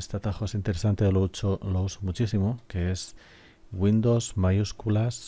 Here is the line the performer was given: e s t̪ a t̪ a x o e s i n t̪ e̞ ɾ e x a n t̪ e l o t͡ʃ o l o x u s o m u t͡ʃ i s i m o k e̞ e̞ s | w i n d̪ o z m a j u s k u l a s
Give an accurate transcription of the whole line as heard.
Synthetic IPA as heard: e s t̪ a t̪ a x o e s i n t̪ e̞ ɾ e s a n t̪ e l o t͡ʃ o l o u s o m u t͡ʃ i s i m o k e̞ e̞ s | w i n d̪ o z m a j u s k u l a s